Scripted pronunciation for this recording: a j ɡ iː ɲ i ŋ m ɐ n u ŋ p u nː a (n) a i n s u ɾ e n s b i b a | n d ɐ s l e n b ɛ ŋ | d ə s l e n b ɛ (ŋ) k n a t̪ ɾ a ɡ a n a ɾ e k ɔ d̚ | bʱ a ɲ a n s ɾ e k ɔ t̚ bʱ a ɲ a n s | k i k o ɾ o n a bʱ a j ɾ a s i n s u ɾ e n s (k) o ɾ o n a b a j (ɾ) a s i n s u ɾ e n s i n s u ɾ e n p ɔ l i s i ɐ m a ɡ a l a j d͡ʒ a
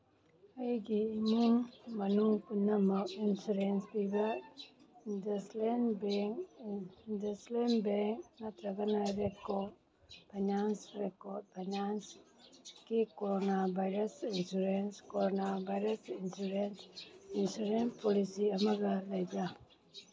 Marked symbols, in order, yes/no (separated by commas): no, yes, yes, yes